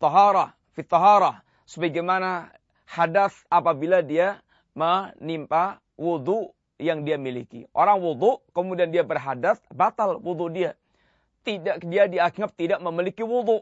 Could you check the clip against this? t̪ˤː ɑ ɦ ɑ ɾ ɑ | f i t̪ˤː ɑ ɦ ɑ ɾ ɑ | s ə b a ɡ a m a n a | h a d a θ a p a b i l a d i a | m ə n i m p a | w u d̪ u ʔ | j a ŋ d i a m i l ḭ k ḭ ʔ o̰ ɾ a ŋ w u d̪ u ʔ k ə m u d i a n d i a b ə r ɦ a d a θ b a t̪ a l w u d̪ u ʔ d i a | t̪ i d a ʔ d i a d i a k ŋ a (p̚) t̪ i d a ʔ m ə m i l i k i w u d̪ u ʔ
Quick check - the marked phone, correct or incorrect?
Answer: correct